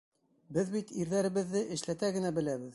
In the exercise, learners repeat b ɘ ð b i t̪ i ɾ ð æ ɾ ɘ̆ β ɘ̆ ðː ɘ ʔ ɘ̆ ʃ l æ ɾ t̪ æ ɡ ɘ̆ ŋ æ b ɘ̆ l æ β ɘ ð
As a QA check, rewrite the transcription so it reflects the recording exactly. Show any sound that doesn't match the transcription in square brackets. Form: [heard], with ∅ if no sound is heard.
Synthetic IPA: b ɘ ð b i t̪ i ɾ ð æ ɾ ɘ̆ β ɘ̆ ðː ɘ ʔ ɘ̆ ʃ l æ [∅] t̪ æ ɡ ɘ̆ [n] æ b ɘ̆ l æ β ɘ ð